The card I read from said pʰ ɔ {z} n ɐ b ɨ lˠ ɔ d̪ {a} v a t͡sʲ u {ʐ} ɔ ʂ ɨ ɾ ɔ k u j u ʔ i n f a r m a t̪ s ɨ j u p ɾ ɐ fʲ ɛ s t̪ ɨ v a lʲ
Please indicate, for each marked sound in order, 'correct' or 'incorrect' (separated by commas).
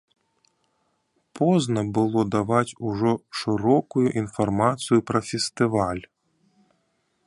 correct, correct, correct